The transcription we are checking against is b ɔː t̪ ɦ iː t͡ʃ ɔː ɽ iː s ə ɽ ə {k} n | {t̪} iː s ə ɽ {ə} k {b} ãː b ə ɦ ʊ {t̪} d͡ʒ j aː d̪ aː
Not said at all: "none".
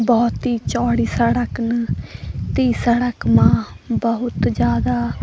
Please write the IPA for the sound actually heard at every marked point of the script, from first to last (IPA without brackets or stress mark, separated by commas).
k, t̪, ə, m, t̪